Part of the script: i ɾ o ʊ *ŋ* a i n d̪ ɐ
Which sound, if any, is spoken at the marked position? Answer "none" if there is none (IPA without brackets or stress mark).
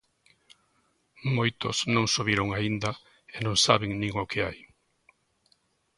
ŋ